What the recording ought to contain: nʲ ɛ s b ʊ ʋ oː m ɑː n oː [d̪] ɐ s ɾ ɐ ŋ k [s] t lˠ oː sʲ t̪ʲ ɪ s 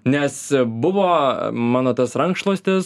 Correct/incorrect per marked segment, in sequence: incorrect: t̪, incorrect: ʃ

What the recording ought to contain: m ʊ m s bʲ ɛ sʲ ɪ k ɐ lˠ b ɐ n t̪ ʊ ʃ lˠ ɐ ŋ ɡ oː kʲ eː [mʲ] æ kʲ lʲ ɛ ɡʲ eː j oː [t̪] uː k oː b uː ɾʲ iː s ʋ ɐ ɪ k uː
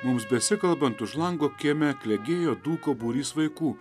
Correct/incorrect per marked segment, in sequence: correct, incorrect: d̪

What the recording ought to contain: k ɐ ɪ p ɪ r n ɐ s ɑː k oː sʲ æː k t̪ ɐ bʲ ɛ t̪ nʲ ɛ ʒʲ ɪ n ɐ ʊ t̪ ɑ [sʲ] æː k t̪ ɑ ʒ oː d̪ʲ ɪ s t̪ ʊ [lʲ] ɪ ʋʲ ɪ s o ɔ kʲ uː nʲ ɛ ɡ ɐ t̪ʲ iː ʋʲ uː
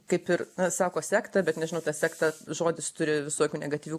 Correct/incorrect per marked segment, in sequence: correct, incorrect: ɾʲ

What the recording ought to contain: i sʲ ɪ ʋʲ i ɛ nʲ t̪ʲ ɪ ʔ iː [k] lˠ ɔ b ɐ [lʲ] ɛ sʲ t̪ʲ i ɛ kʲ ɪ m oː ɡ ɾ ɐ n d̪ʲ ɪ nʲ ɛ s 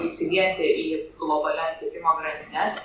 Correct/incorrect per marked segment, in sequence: incorrect: ɡ, correct

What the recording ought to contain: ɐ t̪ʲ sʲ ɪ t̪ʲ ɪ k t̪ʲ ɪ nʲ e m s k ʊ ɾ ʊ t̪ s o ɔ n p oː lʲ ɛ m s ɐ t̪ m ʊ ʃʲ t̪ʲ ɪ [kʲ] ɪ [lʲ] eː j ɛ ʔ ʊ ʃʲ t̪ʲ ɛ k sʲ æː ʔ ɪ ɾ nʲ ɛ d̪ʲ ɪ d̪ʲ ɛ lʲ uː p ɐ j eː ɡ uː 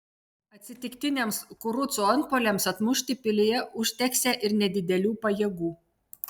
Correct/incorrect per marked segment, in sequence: incorrect: pʲ, correct

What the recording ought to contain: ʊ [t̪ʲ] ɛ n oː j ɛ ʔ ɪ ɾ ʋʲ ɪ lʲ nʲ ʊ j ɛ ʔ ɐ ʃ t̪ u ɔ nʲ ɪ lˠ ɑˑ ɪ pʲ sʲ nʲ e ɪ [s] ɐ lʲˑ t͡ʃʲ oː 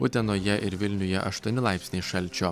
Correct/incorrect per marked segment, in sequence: correct, incorrect: ʃ

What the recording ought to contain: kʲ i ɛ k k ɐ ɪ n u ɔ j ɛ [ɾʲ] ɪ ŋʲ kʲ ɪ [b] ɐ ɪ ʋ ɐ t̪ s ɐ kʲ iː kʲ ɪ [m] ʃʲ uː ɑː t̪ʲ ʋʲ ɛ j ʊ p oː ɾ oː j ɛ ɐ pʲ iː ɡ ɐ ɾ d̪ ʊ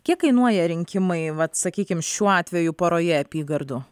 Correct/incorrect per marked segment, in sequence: correct, incorrect: m, correct

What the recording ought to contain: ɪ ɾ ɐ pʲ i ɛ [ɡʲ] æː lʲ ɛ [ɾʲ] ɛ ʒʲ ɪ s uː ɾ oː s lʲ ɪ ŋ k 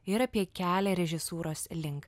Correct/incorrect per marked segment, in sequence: incorrect: kʲ, correct

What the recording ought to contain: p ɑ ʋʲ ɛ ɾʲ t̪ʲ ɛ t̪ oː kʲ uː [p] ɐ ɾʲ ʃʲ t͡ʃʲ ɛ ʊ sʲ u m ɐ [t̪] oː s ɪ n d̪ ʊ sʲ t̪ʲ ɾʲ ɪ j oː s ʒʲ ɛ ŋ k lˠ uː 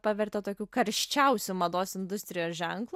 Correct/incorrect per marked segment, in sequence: incorrect: k, incorrect: d̪

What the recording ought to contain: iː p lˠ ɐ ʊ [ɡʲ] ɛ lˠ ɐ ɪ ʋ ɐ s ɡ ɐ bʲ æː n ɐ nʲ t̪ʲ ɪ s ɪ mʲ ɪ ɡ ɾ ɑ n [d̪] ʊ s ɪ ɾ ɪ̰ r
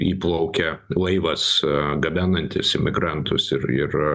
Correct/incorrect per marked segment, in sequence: incorrect: kʲ, incorrect: t̪

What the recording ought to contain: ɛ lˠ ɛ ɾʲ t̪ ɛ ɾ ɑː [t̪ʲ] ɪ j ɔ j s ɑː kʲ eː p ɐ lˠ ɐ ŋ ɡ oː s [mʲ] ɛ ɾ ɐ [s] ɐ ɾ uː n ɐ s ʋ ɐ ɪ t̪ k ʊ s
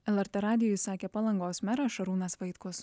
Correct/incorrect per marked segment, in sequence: incorrect: d̪ʲ, correct, incorrect: ʃ

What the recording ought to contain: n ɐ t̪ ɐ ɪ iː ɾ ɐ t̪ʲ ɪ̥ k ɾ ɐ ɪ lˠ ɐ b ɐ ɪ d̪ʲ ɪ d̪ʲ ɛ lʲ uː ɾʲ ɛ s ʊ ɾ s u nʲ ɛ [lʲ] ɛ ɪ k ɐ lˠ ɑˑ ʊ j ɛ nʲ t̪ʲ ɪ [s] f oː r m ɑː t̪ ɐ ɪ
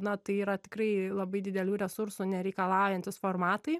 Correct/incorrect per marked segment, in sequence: incorrect: ɾʲ, correct

